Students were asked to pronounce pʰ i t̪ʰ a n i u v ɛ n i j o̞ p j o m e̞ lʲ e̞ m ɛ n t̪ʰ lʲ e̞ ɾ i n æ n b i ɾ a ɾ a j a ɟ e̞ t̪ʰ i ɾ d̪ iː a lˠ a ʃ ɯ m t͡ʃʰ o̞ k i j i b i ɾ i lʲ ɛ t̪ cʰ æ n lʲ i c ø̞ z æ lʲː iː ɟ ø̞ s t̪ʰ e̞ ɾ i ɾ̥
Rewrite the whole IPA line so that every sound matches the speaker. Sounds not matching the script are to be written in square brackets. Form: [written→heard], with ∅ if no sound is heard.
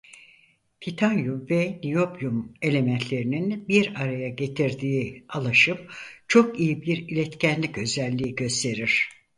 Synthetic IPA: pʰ i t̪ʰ a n [i→j] u v ɛ n i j o̞ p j [o→u] m e̞ lʲ e̞ m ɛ n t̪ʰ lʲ e̞ ɾ i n [æ→i] n b i ɾ a ɾ a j a ɟ e̞ t̪ʰ i ɾ d̪ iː a lˠ a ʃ ɯ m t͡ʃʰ o̞ k i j i b i ɾ i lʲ ɛ t̪ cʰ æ n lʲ i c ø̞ z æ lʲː iː ɟ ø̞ s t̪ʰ e̞ ɾ i ɾ̥